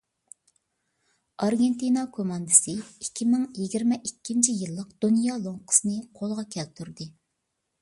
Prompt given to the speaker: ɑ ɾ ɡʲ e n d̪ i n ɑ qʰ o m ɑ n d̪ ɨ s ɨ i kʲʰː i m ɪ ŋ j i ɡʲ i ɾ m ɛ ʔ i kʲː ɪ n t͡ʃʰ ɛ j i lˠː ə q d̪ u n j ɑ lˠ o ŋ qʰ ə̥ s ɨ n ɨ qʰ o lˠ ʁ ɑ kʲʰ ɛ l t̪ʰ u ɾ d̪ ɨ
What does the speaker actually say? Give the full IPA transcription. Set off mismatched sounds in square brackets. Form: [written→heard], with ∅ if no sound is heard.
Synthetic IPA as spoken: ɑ ɾ ɡʲ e n [d̪→t̪] i n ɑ [qʰ→kʰ] o m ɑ n d̪ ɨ s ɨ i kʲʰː i m ɪ ŋ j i ɡʲ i ɾ m ɛ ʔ i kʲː [ɪ→i] n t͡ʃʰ [ɛ→i] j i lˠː ə q d̪ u n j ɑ lˠ o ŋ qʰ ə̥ s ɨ n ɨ qʰ o lˠ ʁ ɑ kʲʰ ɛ l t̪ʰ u ɾ d̪ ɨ